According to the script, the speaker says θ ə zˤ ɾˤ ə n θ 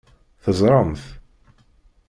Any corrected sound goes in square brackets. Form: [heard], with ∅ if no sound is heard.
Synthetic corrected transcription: θ ə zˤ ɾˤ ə [m] θ